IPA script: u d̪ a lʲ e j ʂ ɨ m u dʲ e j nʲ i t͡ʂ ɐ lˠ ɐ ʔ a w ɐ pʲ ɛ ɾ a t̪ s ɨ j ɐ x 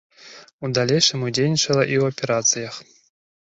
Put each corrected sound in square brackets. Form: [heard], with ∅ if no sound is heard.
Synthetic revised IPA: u d̪ a lʲ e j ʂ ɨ m u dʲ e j nʲ i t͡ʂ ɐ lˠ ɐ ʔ [i] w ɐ pʲ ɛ ɾ a t̪ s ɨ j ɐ x